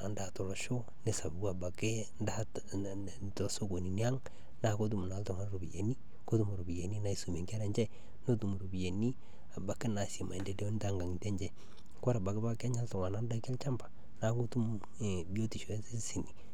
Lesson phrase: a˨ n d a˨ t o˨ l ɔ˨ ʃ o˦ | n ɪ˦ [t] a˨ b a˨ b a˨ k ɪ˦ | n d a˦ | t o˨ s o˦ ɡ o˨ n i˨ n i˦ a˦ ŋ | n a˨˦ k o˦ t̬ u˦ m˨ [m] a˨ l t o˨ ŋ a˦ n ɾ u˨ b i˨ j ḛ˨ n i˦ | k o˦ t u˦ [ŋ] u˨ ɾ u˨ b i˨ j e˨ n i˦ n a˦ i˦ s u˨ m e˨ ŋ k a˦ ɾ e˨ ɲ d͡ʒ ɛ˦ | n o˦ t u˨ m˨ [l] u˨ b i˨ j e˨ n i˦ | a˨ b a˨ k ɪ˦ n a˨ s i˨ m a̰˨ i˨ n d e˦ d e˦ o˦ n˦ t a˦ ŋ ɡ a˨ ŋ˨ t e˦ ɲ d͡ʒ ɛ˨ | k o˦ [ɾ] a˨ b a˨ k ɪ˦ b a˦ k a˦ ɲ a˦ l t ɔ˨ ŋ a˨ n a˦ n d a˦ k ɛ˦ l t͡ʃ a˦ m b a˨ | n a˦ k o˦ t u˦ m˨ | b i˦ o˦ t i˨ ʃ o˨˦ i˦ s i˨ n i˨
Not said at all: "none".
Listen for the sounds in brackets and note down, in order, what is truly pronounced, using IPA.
s, n, m, ɾ, ɾ

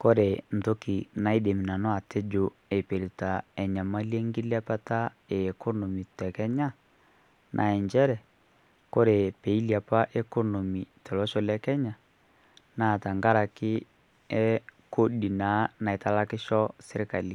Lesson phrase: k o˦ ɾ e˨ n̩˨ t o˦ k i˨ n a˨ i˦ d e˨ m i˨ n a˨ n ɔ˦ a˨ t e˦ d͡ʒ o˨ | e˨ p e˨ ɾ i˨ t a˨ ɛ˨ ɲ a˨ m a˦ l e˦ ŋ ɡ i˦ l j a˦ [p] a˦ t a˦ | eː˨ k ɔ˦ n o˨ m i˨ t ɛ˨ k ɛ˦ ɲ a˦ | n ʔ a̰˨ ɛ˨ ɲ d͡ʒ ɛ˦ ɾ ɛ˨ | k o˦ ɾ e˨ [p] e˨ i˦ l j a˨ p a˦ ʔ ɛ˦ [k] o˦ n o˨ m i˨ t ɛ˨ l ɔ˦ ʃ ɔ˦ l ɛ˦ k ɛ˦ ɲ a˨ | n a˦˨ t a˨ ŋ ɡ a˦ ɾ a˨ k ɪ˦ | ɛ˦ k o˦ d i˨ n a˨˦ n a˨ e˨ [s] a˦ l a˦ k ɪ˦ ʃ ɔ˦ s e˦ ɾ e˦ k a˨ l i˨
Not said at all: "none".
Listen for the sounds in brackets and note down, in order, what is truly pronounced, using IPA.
p, p, k, t

